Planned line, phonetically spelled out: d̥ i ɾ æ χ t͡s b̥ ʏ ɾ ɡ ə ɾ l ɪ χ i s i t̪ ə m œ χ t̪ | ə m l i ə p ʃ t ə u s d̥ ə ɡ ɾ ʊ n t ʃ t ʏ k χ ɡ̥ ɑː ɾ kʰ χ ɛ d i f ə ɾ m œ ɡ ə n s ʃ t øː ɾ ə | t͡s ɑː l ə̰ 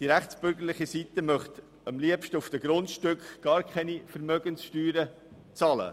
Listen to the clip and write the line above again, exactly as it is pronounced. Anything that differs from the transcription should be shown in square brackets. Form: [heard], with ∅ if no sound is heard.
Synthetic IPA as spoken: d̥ i ɾ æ χ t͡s b̥ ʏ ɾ ɡ ə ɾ l ɪ χ i s i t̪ ə m œ χ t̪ | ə m l i ə p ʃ t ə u [f] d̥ ə ɡ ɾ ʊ n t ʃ t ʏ k χ ɡ̥ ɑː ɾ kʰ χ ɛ [n] i f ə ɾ m œ ɡ ə n s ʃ t [yː] ɾ ə | t͡s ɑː l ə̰